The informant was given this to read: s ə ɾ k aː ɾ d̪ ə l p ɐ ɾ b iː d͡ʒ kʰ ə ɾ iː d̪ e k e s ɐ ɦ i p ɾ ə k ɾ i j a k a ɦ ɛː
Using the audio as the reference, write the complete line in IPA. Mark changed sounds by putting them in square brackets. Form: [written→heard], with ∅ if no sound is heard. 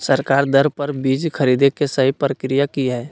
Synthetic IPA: s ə ɾ k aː ɾ d̪ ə [l→ɾ] p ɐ ɾ b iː d͡ʒ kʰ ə ɾ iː d̪ e k e s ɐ ɦ i p ɾ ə k ɾ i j a k [a→i] ɦ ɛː